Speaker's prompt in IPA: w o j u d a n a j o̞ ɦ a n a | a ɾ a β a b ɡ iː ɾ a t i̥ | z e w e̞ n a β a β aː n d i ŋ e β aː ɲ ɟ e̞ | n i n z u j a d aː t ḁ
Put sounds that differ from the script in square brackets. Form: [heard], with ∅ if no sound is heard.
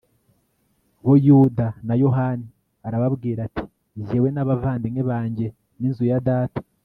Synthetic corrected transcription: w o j u d a n a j o̞ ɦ a n [i] | a ɾ a β a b ɡ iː ɾ a t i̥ | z e w e̞ n a β a [v] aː n d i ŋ e β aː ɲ ɟ e̞ | n i n z u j a d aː t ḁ